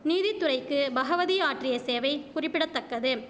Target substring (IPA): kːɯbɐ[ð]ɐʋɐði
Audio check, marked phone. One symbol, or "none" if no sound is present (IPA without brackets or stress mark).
ɣ